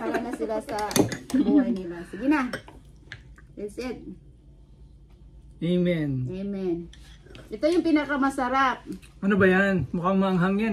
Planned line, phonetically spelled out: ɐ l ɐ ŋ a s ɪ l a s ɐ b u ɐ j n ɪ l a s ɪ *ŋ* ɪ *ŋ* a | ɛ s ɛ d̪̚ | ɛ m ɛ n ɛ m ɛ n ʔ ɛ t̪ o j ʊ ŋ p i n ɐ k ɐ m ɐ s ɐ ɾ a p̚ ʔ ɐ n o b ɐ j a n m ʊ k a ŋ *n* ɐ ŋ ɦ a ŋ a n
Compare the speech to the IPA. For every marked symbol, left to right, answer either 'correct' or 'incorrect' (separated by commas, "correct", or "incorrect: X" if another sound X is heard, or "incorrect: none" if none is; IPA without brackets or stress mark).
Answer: incorrect: ɡ, incorrect: n, incorrect: m